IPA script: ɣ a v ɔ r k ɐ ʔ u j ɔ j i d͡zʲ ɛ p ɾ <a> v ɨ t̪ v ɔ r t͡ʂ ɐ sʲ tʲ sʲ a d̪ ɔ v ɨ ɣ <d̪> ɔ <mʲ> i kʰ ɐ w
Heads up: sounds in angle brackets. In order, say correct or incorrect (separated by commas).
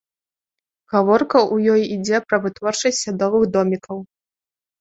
incorrect, correct, correct